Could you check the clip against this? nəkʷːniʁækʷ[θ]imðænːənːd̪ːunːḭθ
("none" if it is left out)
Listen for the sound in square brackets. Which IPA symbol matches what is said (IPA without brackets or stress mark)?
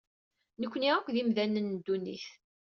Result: ð